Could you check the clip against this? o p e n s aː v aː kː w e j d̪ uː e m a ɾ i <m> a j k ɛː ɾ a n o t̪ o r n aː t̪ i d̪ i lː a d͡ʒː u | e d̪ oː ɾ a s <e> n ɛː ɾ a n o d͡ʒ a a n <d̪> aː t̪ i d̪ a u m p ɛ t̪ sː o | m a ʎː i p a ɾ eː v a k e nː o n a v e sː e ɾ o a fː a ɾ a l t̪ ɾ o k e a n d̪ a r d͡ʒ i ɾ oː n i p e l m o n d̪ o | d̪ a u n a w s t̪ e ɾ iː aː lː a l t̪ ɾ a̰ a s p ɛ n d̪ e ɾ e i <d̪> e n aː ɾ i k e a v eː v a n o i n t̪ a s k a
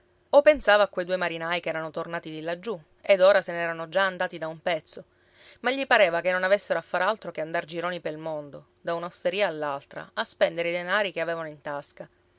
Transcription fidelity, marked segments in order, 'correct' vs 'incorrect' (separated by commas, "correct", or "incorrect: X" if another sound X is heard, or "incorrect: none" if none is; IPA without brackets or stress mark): incorrect: n, correct, correct, correct